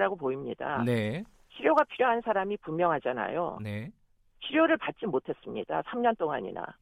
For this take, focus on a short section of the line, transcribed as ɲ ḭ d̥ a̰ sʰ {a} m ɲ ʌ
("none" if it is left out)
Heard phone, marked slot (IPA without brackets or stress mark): a